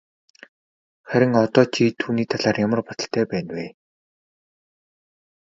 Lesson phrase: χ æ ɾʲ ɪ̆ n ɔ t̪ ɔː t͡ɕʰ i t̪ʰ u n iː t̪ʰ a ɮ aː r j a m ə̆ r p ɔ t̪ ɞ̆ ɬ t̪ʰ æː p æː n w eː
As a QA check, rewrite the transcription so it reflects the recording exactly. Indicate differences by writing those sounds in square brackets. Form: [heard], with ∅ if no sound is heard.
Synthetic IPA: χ æ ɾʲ ɪ̆ [ŋ] ɔ t̪ ɔː t͡ɕʰ i t̪ʰ [uː] n iː t̪ʰ a ɮ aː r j a m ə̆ r p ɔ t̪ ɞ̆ ɬ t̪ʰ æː p æː n w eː

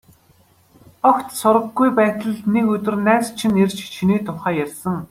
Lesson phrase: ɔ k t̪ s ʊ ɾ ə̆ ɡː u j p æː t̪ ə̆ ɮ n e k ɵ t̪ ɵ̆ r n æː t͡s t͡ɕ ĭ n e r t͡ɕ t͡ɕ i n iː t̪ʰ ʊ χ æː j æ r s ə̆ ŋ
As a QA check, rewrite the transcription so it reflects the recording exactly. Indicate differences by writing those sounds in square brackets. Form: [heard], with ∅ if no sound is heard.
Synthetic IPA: ɔ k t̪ s ʊ ɾ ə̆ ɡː u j p æː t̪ ə̆ ɮ n e k ɵ t̪ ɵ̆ r n æː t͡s [t͡ɕʰ] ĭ n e r t͡ɕ [t͡ɕʰ] i n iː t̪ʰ ʊ χ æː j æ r s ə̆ ŋ

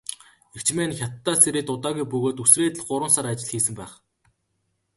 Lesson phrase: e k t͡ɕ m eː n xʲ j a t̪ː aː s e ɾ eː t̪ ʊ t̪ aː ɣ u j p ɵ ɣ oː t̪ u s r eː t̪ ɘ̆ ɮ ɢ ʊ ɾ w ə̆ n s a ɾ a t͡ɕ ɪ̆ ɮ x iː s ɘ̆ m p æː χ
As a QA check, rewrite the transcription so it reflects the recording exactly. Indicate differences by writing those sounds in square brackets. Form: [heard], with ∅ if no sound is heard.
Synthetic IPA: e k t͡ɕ m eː n xʲ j a t̪ː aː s e ɾ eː t̪ ʊ t̪ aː ɣ u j p ɵ ɣ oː t̪ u s r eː t̪ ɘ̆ ɮ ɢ ʊ ɾ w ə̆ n s a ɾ a t͡ɕ ɪ̆ ɮ x iː s ɘ̆ m p æː χ

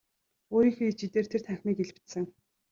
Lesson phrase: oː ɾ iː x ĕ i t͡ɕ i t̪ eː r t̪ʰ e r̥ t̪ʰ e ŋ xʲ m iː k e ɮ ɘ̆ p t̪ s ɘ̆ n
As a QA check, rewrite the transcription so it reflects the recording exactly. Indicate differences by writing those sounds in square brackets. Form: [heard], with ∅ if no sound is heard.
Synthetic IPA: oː ɾ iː x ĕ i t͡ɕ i t̪ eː r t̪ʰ e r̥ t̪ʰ [æ] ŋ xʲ m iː k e ɮ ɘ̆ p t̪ s ɘ̆ [ŋ]

